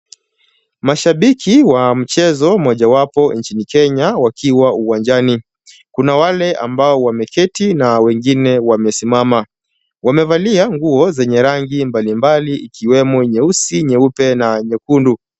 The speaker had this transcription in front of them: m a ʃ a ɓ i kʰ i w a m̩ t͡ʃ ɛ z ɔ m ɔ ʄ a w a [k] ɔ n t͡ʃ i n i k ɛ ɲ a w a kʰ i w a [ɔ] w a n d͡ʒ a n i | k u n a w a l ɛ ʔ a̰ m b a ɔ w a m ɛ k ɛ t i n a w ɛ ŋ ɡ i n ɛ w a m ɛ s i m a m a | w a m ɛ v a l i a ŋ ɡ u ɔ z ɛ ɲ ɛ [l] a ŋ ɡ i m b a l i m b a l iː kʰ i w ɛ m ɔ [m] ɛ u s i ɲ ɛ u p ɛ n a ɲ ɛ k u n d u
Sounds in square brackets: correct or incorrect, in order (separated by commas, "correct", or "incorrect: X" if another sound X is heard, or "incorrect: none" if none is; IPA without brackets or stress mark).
incorrect: p, incorrect: u, incorrect: ɾ, incorrect: ɲ